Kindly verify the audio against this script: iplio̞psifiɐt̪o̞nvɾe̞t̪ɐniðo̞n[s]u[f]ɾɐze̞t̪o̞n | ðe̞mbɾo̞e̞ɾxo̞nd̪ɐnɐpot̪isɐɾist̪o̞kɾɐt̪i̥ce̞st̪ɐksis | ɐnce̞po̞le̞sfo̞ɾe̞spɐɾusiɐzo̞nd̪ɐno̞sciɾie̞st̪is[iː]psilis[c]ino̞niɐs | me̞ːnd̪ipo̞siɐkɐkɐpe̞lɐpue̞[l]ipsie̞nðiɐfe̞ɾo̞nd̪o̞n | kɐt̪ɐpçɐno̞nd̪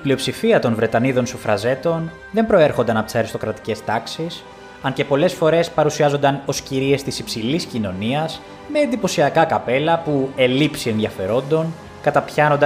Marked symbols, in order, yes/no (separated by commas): yes, yes, no, yes, yes